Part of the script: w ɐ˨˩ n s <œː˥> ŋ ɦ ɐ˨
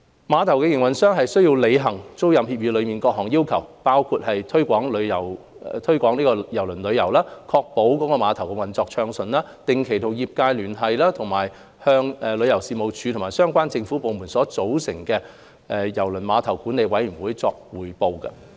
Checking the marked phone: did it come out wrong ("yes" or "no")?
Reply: no